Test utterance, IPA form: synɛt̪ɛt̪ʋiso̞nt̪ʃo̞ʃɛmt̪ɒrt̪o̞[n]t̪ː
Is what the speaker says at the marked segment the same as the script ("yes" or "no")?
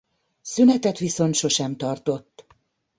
no